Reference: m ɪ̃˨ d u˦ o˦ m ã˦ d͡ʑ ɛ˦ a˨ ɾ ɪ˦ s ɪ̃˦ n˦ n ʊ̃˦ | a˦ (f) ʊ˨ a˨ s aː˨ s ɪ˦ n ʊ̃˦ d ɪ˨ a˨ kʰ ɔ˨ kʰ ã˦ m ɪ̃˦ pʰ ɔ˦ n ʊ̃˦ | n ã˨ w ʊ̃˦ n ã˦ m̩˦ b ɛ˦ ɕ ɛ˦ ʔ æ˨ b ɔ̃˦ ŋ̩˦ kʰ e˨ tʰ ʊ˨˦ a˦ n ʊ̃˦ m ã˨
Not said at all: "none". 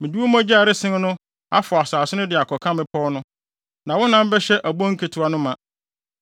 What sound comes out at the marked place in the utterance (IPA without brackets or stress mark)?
f